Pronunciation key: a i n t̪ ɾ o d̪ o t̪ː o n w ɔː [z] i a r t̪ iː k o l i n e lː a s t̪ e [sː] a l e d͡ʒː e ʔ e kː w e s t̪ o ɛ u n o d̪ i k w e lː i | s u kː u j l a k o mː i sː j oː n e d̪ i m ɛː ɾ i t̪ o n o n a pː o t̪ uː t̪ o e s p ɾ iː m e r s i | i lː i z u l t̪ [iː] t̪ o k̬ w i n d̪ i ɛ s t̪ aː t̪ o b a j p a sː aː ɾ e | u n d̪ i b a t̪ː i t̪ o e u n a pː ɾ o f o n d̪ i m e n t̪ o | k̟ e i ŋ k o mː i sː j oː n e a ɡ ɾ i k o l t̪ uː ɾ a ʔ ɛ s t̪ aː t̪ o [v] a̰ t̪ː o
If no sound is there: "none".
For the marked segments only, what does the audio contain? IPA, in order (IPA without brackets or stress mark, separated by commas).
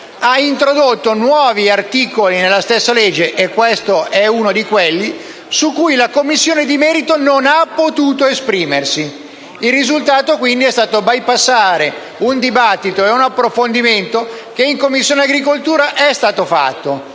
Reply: v, sː, aː, f